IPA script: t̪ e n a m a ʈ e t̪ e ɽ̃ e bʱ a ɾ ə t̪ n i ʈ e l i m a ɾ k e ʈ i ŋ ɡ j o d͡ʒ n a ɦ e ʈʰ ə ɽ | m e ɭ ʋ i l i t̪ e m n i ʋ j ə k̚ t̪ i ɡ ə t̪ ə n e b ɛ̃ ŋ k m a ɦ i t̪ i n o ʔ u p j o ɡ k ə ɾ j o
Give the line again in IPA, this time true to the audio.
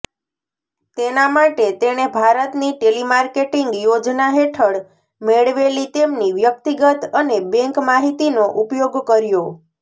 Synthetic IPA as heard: t̪ e n a m a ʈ e t̪ e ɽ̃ e bʱ a ɾ ə t̪ n i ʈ e l i m a ɾ k e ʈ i ŋ ɡ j o d͡ʒ n a ɦ e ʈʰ ə ɽ | m e ɭ ʋ e l i t̪ e m n i ʋ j ə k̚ t̪ i ɡ ə t̪ ə n e b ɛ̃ ŋ k m a ɦ i t̪ i n o ʔ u p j o ɡ k ə ɾ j o